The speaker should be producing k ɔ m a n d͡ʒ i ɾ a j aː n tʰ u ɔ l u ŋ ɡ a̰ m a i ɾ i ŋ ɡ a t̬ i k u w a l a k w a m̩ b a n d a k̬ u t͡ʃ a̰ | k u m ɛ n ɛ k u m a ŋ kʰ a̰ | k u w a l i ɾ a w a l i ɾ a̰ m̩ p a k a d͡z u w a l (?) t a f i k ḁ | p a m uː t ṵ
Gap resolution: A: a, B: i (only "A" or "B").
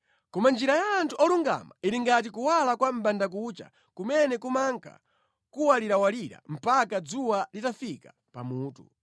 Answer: B